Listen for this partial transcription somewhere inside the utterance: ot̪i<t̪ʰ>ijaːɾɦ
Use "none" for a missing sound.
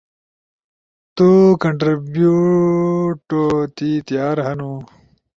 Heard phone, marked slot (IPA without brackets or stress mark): t̪